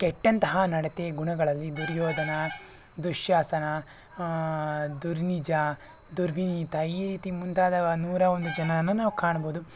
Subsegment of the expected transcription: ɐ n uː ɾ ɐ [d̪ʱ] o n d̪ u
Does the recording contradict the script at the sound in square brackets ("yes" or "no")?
yes